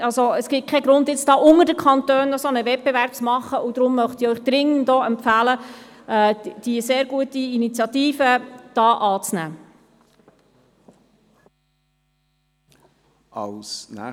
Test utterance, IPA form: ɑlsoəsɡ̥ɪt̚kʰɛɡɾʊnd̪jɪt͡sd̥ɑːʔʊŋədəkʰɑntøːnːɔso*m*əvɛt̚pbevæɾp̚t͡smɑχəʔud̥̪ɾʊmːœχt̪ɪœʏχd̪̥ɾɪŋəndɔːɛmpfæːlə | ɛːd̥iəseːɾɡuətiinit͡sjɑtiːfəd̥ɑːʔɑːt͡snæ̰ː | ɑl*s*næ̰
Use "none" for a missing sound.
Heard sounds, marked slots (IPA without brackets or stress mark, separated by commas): n, s